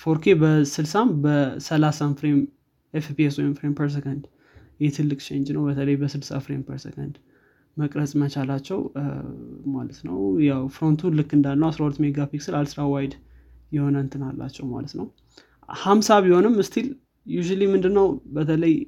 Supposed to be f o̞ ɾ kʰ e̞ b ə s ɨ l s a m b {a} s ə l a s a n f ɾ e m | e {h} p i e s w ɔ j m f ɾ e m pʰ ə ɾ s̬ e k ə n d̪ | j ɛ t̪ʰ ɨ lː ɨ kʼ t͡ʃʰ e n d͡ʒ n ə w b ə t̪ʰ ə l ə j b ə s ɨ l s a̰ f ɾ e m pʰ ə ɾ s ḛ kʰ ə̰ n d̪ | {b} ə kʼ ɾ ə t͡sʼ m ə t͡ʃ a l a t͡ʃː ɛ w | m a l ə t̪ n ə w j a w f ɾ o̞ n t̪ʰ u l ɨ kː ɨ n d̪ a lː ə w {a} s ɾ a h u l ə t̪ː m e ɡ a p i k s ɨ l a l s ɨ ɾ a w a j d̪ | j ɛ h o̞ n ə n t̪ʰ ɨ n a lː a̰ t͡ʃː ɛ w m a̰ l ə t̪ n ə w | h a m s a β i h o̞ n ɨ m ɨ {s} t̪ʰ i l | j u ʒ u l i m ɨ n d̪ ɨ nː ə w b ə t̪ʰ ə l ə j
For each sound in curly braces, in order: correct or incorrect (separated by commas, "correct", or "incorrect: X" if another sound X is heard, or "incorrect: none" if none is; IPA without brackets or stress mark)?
incorrect: ə, incorrect: f, incorrect: m, correct, correct